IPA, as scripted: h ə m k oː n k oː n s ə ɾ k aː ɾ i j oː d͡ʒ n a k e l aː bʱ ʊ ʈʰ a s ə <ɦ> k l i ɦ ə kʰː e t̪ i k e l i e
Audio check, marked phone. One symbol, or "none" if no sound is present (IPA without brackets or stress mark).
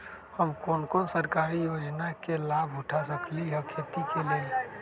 none